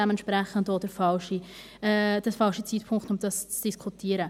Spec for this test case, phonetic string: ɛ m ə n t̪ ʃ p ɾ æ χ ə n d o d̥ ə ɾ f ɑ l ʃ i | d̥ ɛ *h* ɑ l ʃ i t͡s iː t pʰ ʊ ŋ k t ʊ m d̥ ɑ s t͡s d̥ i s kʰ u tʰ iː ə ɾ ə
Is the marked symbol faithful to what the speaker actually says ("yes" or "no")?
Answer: no